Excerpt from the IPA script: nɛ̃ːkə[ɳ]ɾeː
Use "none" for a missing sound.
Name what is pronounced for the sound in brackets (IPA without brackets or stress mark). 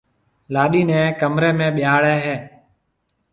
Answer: m